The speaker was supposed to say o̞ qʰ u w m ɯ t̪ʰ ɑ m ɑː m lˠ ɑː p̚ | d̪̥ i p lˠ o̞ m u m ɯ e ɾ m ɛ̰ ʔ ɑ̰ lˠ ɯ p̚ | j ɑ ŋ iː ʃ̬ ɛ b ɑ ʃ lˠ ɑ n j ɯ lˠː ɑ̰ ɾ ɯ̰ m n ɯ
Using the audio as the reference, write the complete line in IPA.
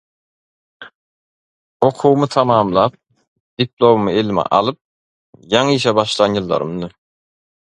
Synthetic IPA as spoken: o̞ qʰ u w m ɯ t̪ʰ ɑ m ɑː m lˠ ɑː p̚ | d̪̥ i p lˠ o̞ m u m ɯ e l m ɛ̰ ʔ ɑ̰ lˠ ɯ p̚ | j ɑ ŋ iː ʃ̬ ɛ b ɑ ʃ lˠ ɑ n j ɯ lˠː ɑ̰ ɾ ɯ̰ m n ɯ